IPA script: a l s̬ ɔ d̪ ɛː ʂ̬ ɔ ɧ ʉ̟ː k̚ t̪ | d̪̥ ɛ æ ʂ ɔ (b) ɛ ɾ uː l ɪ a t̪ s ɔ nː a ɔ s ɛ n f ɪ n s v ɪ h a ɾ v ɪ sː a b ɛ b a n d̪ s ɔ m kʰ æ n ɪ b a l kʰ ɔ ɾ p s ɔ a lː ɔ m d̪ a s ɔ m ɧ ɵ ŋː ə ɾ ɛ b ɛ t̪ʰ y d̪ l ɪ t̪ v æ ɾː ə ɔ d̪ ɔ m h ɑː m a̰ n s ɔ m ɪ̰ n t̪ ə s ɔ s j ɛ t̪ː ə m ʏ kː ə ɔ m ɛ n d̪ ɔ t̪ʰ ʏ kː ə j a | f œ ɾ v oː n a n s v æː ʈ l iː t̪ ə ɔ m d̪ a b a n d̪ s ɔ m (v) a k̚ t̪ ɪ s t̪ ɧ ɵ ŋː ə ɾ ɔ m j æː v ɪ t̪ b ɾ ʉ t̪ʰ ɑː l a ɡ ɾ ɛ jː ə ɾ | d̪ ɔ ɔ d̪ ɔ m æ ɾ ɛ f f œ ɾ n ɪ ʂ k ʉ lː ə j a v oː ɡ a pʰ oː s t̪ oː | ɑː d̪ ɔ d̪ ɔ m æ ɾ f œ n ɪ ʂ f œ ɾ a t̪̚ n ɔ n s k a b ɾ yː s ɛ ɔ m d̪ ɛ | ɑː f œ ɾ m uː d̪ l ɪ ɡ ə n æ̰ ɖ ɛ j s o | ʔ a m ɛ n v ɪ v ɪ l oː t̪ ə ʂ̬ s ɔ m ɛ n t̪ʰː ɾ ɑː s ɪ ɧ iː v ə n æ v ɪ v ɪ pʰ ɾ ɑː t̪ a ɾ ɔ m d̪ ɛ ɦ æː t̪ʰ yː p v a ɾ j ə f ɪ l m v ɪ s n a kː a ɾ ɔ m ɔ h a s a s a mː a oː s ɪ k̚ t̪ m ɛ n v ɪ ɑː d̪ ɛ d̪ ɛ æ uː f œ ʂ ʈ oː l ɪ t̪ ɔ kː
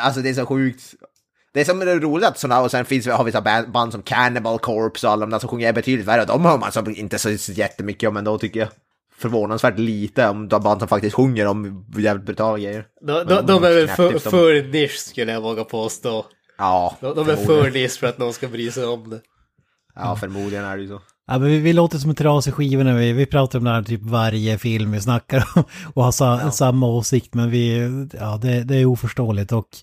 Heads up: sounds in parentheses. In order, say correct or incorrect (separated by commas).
incorrect, incorrect